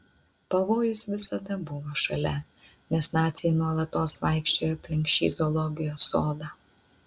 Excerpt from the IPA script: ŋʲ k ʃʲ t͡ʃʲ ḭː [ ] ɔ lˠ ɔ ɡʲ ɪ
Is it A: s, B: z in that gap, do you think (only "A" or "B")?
B